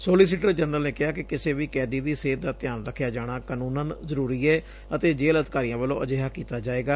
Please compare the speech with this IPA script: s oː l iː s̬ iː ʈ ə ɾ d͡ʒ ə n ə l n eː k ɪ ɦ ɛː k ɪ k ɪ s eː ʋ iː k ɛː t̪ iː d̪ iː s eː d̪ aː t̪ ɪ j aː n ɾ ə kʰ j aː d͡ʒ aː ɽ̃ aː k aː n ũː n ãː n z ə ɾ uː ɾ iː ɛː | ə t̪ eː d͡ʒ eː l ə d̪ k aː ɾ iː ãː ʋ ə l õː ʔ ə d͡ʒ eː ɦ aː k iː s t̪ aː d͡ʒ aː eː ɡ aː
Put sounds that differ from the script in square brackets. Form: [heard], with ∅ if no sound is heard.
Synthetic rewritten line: s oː l iː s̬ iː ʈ ə ɾ d͡ʒ ə n ə l n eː k ɪ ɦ [aː] k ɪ k ɪ s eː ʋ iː k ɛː [d̪] iː d̪ iː s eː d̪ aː t̪ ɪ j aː n ɾ ə kʰ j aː d͡ʒ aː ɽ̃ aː k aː n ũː n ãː n z ə ɾ uː ɾ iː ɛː | ə t̪ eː d͡ʒ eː l ə d̪ k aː ɾ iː ãː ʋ ə l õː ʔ ə d͡ʒ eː ɦ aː k iː [∅] t̪ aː d͡ʒ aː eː ɡ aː